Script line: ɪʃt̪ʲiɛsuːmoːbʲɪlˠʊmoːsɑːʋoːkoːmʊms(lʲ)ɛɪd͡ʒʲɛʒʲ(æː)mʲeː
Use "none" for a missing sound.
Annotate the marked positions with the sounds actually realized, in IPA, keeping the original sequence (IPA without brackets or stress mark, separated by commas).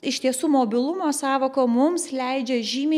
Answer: lʲ, iː